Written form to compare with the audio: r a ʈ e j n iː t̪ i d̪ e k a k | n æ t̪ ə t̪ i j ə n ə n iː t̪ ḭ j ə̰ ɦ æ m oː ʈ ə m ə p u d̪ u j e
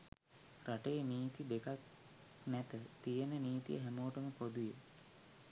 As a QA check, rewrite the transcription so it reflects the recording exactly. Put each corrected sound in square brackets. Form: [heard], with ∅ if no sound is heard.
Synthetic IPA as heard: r a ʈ e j n iː t̪ i d̪ e k a k | n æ t̪ ə t̪ i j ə n ə n iː t̪ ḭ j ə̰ ɦ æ m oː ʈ ə m ə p [o] d̪ u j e